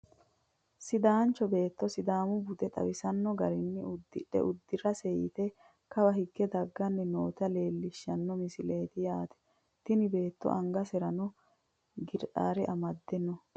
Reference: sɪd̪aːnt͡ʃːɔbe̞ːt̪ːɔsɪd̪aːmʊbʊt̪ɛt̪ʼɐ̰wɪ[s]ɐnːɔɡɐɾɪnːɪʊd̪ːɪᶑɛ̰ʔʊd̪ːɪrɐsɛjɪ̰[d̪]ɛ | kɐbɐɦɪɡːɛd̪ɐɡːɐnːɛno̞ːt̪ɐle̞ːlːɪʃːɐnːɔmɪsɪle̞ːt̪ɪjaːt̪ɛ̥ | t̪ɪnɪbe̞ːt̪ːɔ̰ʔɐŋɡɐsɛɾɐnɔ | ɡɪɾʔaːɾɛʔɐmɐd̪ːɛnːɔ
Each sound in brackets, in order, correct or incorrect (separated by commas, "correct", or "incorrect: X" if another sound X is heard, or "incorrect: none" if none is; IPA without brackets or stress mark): correct, incorrect: t̪